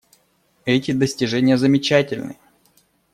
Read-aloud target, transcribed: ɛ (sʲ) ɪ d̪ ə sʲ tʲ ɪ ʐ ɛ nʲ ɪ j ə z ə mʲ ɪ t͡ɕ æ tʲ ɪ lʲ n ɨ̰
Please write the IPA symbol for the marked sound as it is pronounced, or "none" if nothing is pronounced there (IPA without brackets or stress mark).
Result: tʲ